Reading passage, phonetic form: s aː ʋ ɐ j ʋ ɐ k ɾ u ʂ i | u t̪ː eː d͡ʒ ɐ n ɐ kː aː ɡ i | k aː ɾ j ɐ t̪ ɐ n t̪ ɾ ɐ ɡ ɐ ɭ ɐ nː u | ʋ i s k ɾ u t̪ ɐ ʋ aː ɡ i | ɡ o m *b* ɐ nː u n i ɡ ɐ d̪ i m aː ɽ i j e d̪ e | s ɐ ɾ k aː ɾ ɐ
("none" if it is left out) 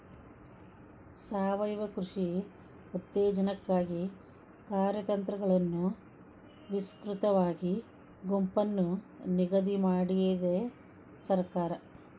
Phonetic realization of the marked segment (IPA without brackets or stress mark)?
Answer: p